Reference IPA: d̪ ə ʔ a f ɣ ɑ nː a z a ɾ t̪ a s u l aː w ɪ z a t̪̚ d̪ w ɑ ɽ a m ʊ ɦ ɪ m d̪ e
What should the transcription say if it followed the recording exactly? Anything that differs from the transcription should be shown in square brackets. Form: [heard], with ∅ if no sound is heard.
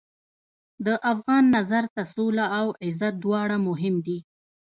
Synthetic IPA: d̪ ə ʔ a f ɣ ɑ nː a z a ɾ t̪ a s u l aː w ɪ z a t̪̚ d̪ w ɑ ɽ a m ʊ ɦ ɪ m d̪ [i]